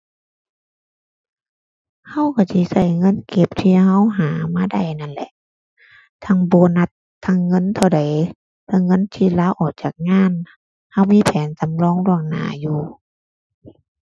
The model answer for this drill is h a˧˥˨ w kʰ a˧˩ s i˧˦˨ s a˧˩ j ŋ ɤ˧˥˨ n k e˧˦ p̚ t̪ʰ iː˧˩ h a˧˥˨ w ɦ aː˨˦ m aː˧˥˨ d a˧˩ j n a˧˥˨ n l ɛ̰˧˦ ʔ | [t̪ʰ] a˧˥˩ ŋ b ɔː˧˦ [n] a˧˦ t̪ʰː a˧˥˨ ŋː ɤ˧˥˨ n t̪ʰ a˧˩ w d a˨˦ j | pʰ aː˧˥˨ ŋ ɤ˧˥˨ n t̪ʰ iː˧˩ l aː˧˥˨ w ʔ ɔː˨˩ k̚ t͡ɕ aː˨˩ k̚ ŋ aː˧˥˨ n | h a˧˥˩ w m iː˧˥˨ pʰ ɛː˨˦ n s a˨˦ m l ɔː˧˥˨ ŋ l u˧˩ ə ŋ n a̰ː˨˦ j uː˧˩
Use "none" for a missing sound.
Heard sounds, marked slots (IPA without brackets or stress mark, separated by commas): t̪ʰ, n